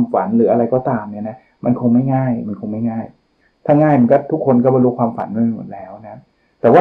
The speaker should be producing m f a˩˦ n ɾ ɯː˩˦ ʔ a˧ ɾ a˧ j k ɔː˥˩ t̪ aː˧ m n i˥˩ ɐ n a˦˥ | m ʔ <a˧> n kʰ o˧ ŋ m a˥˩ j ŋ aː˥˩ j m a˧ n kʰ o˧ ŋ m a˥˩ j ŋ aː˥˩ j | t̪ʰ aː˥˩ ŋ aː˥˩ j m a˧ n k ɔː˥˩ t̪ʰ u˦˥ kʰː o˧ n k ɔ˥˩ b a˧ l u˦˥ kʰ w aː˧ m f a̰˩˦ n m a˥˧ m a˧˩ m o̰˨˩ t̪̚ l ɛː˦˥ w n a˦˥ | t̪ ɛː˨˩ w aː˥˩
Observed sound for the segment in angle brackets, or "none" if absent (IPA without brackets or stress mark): a˧